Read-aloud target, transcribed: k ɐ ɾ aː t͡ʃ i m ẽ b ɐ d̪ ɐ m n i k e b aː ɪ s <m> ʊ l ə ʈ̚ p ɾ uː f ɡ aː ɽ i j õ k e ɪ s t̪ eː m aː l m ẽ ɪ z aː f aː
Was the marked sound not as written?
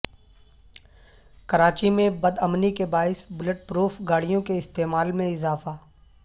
yes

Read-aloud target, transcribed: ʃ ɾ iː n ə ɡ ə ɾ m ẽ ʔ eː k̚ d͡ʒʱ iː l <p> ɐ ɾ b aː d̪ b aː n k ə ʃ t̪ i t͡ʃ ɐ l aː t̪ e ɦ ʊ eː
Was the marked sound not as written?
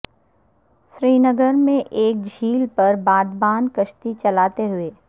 no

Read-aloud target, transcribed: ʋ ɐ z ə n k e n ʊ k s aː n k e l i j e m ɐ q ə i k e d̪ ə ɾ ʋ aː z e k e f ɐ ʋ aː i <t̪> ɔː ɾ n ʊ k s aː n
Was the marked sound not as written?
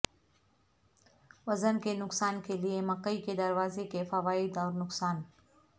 yes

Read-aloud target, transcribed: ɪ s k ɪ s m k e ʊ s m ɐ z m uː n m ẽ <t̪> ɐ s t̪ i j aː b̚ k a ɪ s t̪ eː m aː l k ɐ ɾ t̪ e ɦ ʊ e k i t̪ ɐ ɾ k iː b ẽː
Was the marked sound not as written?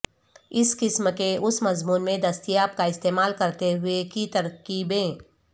yes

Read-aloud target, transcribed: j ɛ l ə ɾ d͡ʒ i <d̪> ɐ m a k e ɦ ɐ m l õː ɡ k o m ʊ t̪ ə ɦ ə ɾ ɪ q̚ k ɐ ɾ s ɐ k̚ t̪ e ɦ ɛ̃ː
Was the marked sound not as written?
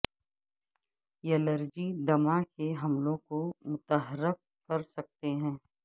no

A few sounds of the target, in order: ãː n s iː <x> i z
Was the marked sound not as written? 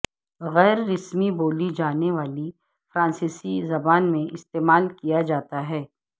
yes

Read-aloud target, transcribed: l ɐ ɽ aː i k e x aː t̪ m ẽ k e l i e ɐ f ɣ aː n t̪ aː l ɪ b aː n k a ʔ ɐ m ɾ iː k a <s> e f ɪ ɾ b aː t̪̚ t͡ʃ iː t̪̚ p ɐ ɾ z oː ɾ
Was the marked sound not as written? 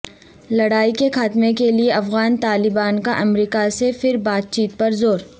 no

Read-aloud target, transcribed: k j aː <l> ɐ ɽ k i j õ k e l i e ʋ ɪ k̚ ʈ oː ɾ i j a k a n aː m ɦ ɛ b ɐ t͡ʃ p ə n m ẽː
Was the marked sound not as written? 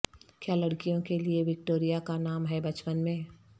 no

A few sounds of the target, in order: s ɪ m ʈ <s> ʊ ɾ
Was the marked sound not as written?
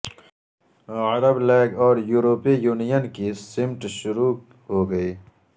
yes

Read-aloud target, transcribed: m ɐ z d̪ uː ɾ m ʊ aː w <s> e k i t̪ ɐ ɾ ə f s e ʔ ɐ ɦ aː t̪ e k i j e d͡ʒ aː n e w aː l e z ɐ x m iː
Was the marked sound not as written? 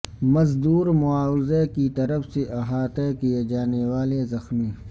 yes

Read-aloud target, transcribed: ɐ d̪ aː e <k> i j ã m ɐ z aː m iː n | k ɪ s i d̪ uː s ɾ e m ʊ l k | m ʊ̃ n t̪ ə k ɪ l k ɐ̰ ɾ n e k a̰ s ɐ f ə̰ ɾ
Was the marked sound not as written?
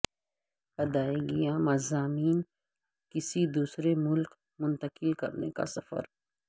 yes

